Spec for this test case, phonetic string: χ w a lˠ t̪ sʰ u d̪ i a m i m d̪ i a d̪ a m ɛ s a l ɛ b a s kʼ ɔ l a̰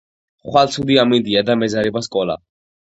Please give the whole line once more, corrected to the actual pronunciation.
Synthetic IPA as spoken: χ w a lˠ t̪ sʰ u d̪ i a m i n d̪ i a d̪ a m ɛ z a ɾ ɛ b a s kʼ ɔ l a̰